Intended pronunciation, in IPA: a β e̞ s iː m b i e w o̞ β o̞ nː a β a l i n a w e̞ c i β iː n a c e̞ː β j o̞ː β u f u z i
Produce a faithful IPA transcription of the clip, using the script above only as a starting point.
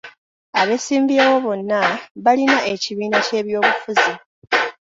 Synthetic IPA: a β e̞ s iː m b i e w o̞ β o̞ nː a β a l i n a e̞ c i β iː n a c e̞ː β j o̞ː β u f u z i